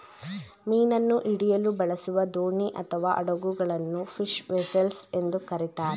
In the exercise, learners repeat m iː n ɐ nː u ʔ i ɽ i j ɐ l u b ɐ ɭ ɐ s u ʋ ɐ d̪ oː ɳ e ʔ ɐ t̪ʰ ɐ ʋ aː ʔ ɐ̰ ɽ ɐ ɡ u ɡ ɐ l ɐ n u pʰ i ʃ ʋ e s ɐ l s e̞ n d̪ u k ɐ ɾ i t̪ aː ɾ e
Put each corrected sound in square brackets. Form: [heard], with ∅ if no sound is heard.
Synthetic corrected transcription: m iː n ɐ nː u ʔ i ɽ i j ɐ l u b ɐ ɭ ɐ s u ʋ ɐ d̪ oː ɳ [i] ʔ ɐ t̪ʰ ɐ ʋ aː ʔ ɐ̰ ɽ ɐ ɡ u ɡ ɐ [ɭ] ɐ [nː] u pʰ i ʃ ʋ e s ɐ l s e̞ n d̪ u k ɐ ɾ i t̪ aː ɾ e